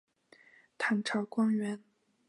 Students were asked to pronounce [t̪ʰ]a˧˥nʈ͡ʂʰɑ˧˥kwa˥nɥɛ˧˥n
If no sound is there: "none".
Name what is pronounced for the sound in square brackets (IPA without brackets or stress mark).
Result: t̪ʰ